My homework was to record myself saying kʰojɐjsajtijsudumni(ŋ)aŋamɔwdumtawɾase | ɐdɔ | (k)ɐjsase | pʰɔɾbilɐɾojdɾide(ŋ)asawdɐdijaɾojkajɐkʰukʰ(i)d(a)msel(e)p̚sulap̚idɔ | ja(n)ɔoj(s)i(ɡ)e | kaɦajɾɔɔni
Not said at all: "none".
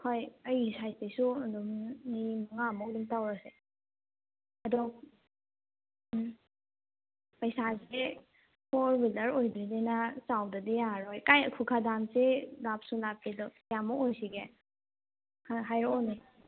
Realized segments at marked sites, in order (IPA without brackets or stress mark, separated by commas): m, p, n, a, a, a, m, s, ɡ